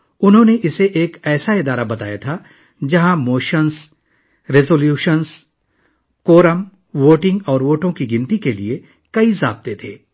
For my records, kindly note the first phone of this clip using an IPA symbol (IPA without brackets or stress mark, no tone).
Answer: ʊ